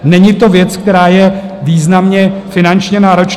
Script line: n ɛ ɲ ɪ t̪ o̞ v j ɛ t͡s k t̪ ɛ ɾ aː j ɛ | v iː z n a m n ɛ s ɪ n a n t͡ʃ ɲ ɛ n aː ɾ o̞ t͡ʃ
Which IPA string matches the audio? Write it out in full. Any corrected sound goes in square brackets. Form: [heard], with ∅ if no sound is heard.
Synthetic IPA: n ɛ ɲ ɪ t̪ o̞ v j ɛ t͡s k t̪ ɛ ɾ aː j ɛ | v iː z n a m [ɲ] ɛ [f] ɪ n a n t͡ʃ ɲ ɛ n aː ɾ o̞ t͡ʃ